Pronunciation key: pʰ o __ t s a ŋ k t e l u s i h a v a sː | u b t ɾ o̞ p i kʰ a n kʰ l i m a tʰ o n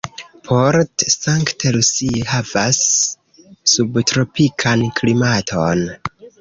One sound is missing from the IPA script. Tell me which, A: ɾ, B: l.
A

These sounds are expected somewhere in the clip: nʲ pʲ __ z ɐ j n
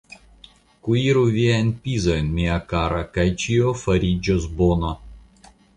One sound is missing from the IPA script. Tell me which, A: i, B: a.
A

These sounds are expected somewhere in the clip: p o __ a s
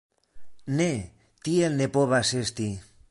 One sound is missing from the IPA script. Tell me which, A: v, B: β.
B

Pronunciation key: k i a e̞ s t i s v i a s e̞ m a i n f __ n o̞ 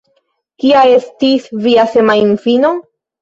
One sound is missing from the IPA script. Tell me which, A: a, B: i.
B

